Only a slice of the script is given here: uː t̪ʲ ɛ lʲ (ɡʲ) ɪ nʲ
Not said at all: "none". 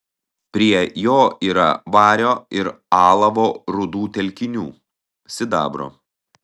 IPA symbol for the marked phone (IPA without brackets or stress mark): kʲ